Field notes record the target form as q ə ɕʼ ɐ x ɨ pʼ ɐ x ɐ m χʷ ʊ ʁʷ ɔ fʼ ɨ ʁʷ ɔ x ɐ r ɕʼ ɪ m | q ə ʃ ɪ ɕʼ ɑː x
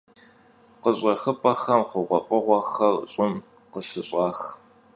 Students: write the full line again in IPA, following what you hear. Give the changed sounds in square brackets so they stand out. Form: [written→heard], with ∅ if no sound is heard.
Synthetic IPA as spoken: q ə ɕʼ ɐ x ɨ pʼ ɐ x ɐ m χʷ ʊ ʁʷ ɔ fʼ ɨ ʁʷ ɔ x ɐ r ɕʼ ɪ m | q ə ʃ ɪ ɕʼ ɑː x